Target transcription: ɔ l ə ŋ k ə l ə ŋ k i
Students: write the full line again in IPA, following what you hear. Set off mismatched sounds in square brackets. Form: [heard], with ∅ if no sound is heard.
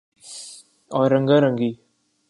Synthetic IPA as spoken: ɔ [ɾ] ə ŋ [ɡ] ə [ɾ] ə ŋ [ɡ] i